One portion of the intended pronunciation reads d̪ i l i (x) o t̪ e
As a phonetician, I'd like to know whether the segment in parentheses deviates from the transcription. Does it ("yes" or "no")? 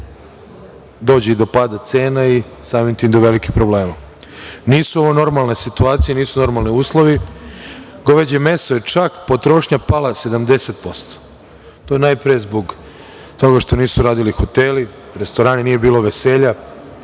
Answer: no